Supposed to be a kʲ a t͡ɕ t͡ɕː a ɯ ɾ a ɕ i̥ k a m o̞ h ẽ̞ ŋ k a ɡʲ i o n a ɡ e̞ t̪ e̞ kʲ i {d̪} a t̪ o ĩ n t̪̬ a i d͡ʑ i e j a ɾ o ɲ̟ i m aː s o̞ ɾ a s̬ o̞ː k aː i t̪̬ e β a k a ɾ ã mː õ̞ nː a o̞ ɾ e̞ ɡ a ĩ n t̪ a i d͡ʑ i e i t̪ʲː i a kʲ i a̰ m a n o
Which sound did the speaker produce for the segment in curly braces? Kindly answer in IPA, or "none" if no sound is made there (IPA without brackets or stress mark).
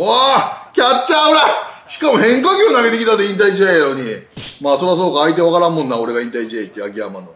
t̪